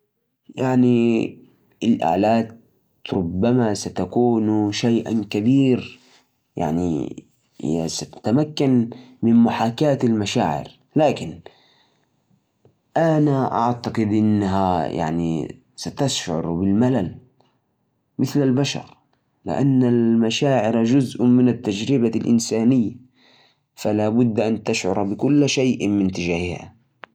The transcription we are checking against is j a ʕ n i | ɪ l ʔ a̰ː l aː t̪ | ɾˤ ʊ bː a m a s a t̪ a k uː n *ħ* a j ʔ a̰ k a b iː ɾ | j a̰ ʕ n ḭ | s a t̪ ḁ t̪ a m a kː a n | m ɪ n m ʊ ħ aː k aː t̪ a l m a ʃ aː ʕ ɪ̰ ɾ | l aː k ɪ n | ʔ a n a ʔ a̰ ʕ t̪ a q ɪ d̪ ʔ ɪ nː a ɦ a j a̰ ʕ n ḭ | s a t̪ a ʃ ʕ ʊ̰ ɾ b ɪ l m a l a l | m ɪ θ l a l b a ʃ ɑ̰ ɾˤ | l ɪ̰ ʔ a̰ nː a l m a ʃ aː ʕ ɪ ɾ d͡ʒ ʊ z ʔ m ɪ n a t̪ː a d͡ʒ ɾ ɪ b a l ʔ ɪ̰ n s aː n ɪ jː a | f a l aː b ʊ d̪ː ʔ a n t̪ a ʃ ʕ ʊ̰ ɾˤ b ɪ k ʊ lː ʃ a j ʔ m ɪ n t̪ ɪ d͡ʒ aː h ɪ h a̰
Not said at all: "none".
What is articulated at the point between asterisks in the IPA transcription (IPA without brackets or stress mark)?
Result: ʃ